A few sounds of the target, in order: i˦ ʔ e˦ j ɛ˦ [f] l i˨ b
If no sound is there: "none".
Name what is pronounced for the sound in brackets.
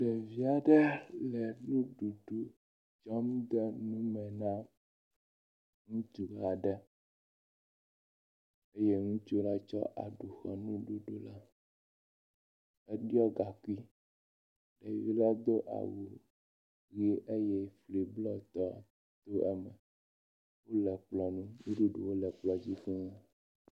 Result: f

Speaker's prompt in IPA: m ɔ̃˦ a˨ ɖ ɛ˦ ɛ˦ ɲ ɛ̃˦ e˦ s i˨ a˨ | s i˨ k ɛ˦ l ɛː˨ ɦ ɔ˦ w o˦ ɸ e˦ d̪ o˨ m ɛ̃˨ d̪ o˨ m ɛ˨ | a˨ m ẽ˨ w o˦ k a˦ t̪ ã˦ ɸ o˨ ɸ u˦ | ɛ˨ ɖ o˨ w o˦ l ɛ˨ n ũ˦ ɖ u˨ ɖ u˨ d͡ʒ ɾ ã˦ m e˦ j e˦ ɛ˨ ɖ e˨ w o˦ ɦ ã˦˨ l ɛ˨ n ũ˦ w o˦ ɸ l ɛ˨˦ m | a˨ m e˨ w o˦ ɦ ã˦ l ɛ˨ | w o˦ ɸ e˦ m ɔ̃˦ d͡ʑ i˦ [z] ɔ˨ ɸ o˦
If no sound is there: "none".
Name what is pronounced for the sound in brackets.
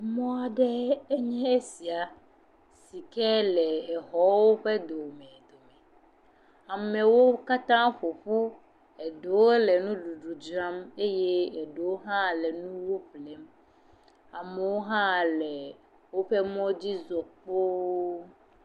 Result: z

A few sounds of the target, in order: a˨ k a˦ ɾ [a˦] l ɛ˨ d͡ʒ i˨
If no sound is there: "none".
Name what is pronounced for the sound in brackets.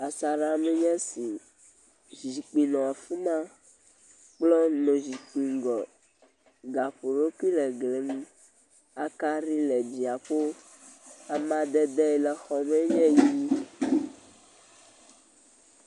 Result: i˦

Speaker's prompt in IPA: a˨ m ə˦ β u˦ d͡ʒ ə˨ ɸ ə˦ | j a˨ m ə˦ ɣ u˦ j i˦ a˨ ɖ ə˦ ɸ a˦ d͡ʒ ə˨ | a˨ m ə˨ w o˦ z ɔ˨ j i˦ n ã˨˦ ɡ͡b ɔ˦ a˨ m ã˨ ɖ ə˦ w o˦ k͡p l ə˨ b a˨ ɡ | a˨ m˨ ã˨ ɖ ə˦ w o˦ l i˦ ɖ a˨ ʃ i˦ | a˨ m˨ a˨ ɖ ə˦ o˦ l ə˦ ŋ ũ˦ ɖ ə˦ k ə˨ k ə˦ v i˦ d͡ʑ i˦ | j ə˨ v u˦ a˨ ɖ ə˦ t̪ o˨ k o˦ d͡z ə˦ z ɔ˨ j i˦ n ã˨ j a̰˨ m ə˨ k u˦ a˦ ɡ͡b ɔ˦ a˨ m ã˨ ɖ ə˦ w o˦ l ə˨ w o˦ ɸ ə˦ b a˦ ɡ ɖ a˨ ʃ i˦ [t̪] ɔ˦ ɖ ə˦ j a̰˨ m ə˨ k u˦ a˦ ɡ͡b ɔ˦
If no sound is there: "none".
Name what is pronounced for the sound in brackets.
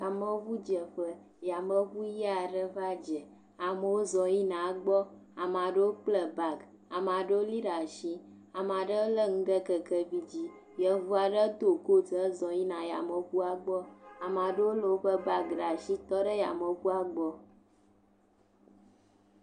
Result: t̪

